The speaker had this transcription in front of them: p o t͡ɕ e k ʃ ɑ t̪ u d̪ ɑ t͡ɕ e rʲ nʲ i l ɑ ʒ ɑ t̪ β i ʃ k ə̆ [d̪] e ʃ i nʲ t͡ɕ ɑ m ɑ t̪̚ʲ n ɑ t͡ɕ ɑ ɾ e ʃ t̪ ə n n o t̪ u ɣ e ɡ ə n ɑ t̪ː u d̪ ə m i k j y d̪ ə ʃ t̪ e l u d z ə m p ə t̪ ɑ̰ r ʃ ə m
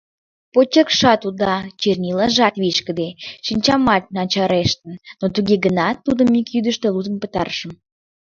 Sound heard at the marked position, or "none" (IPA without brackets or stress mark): d̪